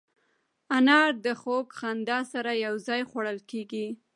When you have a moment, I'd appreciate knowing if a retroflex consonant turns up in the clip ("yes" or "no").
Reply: yes